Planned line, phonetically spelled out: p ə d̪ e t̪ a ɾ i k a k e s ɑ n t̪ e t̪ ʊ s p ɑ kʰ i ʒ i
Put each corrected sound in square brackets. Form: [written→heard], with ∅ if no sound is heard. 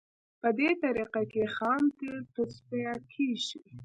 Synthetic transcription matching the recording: p ə d̪ e t̪ a ɾ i [k→q] a k e [s→x] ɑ n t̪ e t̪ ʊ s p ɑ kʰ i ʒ i